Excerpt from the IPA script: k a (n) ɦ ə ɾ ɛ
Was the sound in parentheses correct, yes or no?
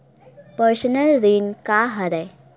no